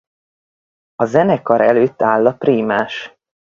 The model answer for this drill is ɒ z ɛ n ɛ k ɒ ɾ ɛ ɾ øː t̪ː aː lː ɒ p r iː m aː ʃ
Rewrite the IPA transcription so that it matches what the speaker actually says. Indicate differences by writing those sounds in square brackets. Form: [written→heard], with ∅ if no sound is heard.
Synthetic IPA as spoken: ɒ z ɛ n ɛ k ɒ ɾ ɛ [ɾ→l] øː t̪ː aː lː ɒ p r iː m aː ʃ